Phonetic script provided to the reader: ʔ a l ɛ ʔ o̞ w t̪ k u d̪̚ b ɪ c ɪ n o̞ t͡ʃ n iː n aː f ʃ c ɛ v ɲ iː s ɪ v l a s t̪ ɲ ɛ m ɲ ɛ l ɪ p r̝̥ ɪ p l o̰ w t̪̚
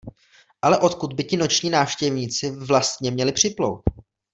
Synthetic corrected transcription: ʔ a l ɛ ʔ o̞ t̪ k u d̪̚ b ɪ c ɪ n o̞ t͡ʃ ɲ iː n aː f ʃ c ɛ v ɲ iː t͡s ɪ v l a s t̪ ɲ ɛ m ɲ ɛ l ɪ p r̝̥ ɪ p l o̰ w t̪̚